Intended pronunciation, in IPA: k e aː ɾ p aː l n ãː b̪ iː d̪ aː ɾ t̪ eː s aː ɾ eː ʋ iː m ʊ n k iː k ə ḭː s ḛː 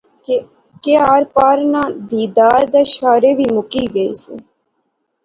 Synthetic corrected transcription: k e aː ɾ p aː ɾ n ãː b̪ iː d̪ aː ɾ d̪ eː ʃ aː ɾ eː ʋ iː m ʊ k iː ɡ ə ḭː s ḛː